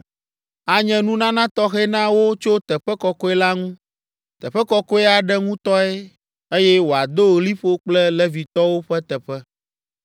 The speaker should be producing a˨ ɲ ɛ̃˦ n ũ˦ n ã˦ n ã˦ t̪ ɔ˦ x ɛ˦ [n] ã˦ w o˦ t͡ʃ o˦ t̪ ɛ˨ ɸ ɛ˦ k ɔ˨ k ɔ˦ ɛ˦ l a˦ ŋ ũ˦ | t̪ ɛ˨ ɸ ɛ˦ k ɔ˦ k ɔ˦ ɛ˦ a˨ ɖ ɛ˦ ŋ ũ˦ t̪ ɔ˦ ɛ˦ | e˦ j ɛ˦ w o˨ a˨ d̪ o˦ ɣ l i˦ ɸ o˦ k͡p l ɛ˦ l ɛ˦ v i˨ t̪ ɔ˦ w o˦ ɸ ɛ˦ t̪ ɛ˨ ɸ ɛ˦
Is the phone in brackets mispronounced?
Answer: no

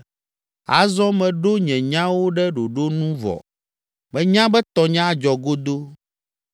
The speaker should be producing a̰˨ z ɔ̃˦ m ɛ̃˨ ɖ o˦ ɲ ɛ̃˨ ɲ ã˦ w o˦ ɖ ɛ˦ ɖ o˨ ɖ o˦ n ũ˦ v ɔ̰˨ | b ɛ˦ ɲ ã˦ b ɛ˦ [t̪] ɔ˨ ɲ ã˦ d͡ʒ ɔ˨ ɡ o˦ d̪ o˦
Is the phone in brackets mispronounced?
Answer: no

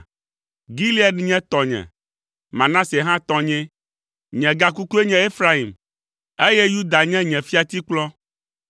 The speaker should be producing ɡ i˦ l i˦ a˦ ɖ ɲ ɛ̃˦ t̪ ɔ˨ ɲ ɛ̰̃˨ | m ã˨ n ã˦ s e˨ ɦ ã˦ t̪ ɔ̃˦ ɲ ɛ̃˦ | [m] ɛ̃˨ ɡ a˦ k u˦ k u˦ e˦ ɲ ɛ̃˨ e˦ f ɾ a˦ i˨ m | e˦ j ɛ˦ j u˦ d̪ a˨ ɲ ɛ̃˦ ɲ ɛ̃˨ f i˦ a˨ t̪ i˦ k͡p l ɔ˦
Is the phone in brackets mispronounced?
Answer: yes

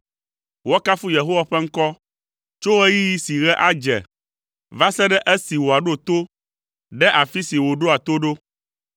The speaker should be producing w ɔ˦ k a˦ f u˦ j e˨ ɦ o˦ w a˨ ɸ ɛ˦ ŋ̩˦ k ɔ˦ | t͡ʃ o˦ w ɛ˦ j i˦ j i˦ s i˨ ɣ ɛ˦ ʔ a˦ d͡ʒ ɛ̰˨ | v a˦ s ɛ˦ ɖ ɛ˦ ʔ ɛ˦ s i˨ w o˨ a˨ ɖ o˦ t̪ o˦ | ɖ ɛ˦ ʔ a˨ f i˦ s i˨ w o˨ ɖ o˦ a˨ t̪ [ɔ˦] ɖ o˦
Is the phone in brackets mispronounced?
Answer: yes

